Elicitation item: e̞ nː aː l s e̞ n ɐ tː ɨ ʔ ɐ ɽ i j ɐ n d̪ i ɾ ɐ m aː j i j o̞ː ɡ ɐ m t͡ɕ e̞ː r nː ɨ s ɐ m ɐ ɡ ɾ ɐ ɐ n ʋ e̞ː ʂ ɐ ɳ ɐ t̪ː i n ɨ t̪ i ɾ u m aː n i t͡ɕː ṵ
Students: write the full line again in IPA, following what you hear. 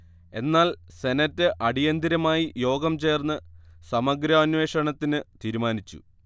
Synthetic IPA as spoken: e̞ nː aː l s e̞ n ɐ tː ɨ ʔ ɐ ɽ i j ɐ n d̪ i ɾ ɐ m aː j i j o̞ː ɡ ɐ m t͡ɕ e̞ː r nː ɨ s ɐ m ɐ ɡ ɾ ɐ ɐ n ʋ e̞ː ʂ ɐ ɳ ɐ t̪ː i n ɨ t̪ iː ɾ u m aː n i t͡ɕː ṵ